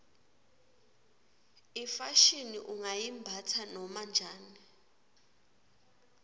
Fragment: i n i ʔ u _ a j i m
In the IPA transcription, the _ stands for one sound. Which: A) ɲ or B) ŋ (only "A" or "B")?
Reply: B